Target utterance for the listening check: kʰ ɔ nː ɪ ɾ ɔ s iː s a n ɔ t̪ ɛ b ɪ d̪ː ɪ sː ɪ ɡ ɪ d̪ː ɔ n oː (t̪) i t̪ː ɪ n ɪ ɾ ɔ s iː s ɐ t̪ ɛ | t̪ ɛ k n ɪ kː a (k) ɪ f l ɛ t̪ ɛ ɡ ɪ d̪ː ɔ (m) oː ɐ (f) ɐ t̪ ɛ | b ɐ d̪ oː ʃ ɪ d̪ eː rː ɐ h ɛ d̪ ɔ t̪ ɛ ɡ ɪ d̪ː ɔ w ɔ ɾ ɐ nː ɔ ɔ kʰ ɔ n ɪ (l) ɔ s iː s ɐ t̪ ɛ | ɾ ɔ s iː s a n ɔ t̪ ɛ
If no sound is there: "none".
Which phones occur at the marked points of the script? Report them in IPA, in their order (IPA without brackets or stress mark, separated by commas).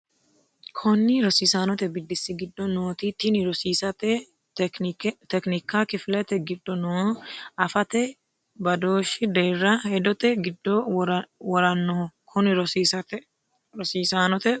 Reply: t̪, k, n, f, ɾ